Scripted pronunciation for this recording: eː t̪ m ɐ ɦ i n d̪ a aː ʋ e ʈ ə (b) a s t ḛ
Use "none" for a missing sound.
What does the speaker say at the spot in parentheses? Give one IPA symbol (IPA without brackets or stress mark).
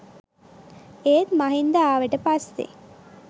p